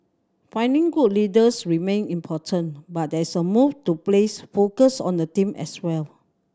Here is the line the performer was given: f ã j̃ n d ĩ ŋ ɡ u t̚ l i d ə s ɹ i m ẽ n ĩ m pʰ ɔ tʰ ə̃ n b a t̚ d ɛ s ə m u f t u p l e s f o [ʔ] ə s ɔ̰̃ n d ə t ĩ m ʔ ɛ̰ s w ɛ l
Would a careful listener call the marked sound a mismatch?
yes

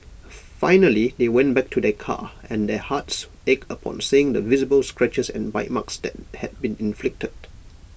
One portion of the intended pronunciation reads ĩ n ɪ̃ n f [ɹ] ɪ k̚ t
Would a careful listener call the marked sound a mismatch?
yes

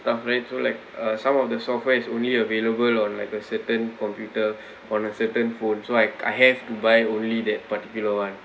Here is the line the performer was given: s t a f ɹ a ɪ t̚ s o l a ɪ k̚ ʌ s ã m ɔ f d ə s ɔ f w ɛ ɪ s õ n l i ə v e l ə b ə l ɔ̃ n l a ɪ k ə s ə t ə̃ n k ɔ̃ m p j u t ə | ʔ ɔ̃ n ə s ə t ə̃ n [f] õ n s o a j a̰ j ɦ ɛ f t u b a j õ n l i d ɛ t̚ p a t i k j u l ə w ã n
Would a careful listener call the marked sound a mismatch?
no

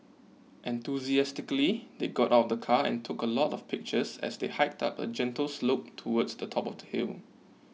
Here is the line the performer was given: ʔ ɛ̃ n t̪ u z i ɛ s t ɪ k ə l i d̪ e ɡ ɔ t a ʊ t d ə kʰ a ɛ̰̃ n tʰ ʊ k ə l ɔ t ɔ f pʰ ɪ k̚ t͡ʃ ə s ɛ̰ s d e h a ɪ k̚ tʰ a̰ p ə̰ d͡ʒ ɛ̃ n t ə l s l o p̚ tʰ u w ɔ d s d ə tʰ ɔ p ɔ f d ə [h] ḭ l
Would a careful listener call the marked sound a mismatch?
no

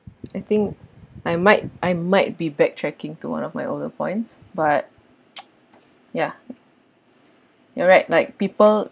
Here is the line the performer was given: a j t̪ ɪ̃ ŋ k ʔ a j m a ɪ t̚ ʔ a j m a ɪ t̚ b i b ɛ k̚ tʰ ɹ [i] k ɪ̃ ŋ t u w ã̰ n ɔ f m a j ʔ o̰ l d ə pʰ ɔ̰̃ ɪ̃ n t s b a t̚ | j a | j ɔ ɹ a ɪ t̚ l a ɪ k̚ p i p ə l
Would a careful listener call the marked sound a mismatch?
yes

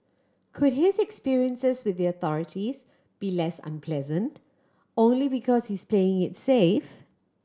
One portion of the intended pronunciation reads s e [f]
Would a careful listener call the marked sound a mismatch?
no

